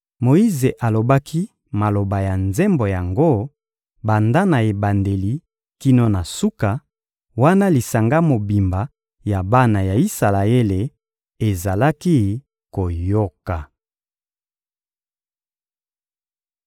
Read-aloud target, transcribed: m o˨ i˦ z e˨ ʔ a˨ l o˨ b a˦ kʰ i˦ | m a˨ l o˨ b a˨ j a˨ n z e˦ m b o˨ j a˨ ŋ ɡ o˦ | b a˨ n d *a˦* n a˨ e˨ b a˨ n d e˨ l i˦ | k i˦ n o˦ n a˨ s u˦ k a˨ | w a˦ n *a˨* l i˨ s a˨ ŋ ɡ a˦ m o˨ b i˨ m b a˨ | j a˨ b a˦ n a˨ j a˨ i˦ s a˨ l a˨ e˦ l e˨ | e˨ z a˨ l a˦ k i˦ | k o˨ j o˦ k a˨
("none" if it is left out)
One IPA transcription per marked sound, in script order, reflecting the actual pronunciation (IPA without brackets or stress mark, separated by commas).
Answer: a˦, a˦